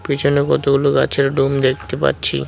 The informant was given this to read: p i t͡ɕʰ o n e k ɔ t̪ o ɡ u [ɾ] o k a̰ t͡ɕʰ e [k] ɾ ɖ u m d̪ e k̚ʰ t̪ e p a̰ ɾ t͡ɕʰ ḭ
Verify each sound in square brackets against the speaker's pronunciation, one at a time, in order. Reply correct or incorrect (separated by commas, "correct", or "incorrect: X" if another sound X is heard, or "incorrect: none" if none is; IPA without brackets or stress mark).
incorrect: l, incorrect: none